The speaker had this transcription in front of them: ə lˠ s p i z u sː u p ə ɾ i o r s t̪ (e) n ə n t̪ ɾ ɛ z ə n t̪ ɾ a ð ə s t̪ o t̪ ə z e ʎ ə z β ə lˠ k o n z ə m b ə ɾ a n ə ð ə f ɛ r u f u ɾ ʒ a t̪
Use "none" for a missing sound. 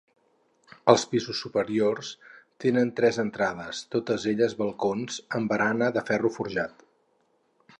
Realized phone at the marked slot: e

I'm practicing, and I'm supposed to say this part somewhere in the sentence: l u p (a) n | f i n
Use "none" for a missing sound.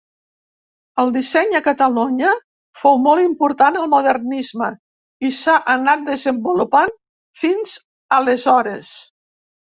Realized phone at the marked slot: a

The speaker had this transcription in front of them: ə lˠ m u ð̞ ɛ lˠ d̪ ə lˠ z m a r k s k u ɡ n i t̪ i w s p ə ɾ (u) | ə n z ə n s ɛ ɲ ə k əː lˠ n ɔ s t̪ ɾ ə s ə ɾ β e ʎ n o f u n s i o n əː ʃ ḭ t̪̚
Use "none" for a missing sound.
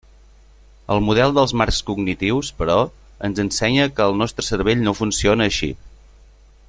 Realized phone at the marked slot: ɔ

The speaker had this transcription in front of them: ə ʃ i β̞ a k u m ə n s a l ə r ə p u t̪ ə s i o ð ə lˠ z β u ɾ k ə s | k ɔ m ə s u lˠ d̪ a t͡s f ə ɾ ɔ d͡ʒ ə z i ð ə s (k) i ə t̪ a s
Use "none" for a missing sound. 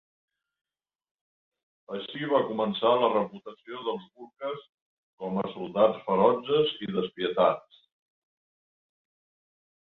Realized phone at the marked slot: p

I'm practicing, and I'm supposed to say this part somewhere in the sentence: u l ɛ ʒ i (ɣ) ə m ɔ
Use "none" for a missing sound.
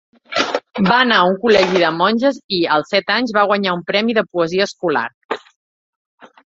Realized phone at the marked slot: ð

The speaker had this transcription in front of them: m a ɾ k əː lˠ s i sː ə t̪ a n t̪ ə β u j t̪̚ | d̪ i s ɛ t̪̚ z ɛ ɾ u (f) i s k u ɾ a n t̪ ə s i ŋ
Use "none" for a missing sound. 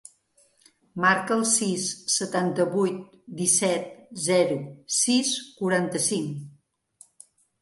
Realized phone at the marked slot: s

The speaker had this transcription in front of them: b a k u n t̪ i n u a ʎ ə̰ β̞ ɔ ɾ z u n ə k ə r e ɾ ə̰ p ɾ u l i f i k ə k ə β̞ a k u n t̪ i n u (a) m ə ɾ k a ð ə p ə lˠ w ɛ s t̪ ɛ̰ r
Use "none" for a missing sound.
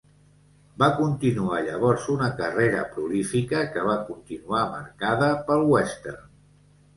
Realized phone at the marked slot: a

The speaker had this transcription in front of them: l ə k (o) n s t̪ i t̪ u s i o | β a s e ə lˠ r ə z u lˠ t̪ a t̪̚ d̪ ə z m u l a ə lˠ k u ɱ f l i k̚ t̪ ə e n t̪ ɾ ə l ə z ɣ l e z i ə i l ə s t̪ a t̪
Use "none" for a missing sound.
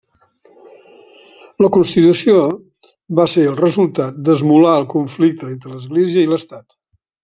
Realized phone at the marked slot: u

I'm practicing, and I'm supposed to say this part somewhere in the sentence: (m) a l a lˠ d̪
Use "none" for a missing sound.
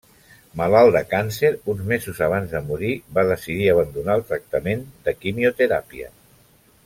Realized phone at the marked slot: m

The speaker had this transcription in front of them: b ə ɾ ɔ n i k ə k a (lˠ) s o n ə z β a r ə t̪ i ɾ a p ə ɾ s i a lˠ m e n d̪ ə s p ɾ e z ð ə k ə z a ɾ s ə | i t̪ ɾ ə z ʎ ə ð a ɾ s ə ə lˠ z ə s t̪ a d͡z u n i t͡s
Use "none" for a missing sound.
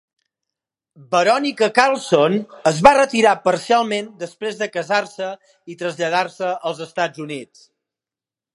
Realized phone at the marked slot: lˠ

